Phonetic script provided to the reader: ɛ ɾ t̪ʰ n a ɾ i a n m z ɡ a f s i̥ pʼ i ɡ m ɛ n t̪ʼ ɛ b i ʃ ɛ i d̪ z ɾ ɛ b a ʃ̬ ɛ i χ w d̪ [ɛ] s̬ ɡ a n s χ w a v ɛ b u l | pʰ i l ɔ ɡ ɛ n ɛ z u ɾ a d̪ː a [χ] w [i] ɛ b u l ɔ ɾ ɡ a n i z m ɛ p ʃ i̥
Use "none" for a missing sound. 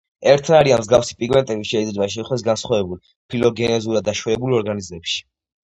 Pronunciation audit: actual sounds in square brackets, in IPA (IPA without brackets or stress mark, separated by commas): ɛ, ʃ, ɛ